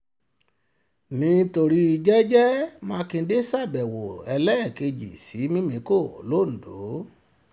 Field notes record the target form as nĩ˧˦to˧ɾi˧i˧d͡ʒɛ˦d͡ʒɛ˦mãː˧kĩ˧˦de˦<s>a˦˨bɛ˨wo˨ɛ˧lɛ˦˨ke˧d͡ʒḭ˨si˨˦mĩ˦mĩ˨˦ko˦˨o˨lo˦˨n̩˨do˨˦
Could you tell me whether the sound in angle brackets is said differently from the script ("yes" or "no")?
no